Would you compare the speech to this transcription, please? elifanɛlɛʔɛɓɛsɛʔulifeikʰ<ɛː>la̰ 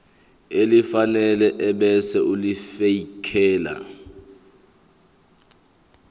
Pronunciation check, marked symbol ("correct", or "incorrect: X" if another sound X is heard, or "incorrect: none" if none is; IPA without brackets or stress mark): correct